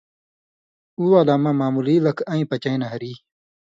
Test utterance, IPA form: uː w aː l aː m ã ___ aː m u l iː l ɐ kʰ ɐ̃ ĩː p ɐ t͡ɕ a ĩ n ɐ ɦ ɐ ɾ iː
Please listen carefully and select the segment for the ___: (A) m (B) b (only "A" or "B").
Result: A